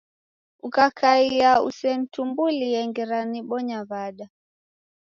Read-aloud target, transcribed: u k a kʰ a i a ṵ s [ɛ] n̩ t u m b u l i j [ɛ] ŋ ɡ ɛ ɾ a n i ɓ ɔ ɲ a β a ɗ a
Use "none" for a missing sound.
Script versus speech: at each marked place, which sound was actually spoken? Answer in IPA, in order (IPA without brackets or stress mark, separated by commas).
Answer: ɛ, ɛ